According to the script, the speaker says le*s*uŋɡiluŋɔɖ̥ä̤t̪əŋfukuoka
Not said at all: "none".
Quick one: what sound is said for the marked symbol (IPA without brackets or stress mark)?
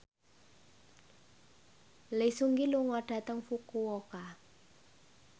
s